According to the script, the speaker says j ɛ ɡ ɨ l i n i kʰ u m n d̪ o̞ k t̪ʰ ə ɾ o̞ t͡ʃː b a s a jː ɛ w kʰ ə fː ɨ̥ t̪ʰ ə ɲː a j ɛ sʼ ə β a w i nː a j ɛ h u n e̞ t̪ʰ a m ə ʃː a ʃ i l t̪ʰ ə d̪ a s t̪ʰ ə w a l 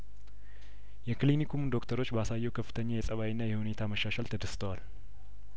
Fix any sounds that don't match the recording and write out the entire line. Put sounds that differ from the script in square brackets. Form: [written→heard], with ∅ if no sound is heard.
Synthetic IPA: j ɛ [ɡ→k] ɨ l i n i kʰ u m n d̪ o̞ k t̪ʰ ə ɾ o̞ t͡ʃː b a s a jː ɛ w kʰ ə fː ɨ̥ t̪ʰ ə ɲː a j ɛ sʼ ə β a w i nː a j ɛ h u n e̞ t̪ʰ a m ə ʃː a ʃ [i→a] l t̪ʰ ə d̪ [a→ə] s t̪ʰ ə w a l